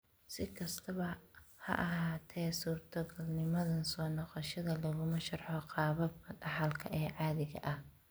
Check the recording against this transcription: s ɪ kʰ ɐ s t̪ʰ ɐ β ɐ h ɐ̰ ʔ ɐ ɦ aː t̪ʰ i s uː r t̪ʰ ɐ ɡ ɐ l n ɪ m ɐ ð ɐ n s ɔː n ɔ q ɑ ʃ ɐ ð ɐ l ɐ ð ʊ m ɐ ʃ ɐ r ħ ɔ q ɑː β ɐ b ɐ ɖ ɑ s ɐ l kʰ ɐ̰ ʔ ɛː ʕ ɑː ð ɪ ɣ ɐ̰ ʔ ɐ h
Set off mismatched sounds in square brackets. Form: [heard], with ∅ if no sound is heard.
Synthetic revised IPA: s ɪ kʰ ɐ s t̪ʰ ɐ β ɐ h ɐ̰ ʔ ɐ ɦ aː t̪ʰ [ɛ] s uː r t̪ʰ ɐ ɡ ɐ l n ɪ m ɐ ð ɐ n s ɔː n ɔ q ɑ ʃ ɐ ð ɐ l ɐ [ɣ] ʊ m ɐ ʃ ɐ r ħ ɔ q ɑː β ɐ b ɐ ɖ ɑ [ħ] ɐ l kʰ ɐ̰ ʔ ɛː ʕ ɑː ð ɪ ɣ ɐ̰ ʔ ɐ h